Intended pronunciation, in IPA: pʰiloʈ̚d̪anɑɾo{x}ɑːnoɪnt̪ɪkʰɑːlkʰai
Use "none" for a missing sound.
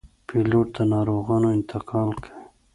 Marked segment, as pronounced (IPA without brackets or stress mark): ɣ